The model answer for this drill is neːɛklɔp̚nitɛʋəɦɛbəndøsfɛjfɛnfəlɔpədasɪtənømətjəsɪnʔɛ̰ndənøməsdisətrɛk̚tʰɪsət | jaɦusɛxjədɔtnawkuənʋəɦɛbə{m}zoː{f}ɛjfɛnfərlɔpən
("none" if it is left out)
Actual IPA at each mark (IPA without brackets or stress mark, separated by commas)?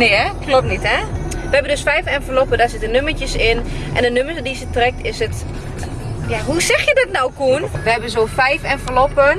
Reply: n, f